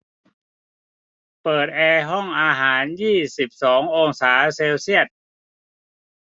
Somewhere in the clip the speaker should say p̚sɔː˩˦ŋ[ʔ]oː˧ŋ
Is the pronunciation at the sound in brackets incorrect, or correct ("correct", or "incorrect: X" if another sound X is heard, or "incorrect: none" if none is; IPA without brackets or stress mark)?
correct